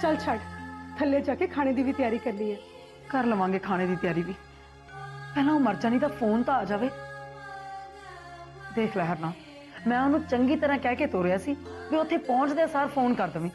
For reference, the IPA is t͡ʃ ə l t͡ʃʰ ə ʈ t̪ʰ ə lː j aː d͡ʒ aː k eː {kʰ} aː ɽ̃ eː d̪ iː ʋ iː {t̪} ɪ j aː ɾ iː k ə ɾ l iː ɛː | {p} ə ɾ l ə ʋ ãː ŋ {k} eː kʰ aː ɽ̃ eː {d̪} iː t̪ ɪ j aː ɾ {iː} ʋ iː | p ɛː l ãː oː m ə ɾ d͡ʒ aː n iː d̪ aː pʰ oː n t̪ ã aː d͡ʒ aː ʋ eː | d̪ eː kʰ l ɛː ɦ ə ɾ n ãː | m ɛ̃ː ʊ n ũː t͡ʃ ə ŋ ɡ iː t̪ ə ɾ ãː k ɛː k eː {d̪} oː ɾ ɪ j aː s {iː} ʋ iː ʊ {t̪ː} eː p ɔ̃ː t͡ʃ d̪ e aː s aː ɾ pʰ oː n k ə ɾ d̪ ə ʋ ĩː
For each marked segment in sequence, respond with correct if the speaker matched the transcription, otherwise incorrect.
correct, correct, incorrect: k, incorrect: ɡ, correct, correct, incorrect: t̪, correct, incorrect: t̪ʰː

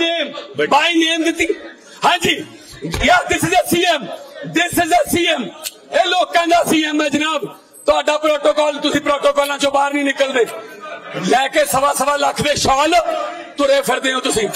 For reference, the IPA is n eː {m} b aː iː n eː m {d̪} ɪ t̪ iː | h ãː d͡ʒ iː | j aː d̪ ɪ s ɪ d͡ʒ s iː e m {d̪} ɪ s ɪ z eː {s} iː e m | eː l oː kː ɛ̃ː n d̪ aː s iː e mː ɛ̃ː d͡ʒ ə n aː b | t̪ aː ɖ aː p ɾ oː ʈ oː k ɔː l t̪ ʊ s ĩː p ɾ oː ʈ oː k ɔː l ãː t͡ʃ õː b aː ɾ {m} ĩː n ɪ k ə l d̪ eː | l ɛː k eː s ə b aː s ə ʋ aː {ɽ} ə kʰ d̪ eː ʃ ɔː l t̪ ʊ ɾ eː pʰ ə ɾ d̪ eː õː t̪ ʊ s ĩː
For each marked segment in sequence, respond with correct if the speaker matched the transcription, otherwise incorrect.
correct, correct, correct, correct, incorrect: n, incorrect: l

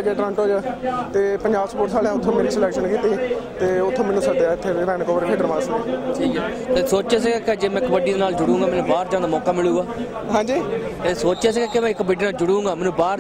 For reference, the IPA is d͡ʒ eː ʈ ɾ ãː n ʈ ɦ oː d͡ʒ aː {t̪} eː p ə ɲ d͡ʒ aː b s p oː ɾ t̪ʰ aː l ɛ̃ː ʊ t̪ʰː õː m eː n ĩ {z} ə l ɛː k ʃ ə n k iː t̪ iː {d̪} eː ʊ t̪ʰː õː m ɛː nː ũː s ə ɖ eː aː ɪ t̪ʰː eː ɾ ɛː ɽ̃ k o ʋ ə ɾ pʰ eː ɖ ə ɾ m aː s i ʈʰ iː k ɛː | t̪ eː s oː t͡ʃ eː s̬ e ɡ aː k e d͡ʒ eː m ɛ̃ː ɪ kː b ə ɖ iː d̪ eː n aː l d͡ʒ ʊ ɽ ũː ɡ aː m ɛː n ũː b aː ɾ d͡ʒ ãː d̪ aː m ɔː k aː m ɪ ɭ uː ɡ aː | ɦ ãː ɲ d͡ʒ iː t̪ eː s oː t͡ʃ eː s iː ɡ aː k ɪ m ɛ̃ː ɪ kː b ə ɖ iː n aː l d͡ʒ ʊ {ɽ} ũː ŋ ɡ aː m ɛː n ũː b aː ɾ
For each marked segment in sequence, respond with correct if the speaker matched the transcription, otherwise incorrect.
correct, incorrect: s, incorrect: t̪, correct

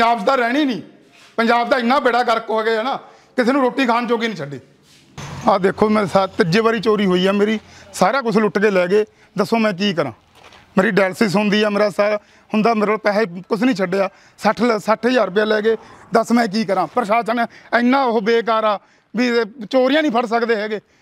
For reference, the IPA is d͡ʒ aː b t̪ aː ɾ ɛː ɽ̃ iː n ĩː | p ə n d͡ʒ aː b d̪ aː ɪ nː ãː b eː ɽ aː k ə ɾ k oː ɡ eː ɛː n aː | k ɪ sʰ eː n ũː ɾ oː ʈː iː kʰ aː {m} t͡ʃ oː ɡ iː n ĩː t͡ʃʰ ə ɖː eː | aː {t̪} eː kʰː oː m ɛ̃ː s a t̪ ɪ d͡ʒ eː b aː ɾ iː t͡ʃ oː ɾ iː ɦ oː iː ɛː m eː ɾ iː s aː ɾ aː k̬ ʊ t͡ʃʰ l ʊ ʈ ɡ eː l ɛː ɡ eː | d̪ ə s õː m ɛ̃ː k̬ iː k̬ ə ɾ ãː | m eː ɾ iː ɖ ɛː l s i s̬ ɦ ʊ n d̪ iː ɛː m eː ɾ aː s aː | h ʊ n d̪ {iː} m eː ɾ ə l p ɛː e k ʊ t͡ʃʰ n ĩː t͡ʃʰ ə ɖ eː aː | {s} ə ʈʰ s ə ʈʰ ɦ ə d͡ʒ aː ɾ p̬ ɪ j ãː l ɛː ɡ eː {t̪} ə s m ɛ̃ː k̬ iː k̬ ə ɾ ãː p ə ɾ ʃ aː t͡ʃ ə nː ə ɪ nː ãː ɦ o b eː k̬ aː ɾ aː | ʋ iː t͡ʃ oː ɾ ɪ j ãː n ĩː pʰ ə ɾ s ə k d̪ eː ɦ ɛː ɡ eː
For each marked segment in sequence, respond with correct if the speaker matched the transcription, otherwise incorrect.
incorrect: n, incorrect: d̪, incorrect: aː, correct, incorrect: d̪

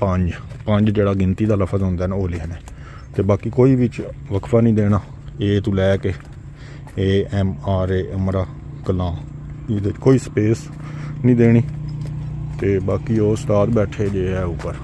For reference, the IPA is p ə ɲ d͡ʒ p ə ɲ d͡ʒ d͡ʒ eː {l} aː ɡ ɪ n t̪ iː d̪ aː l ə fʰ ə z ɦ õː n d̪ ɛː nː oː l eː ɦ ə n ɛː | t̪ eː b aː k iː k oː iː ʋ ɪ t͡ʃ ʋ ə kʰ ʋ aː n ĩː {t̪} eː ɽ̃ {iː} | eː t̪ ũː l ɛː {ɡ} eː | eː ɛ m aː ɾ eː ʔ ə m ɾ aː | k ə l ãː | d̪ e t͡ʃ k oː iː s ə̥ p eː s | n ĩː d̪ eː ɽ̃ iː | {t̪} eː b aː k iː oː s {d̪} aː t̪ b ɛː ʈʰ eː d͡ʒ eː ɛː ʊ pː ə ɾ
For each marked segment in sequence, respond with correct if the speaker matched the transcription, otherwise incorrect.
incorrect: ɽ, incorrect: d̪, incorrect: aː, incorrect: k, correct, incorrect: t̪

